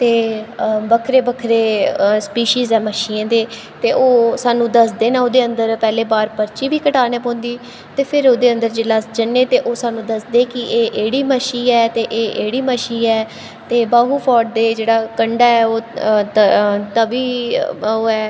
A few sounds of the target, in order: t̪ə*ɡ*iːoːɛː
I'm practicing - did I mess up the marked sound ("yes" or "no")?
yes